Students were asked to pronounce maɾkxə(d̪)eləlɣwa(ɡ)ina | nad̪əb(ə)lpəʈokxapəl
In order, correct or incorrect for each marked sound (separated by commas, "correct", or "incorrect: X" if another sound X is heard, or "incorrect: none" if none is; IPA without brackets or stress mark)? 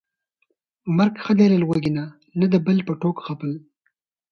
correct, correct, correct